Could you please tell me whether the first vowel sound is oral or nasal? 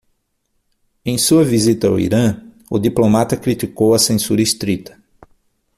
nasal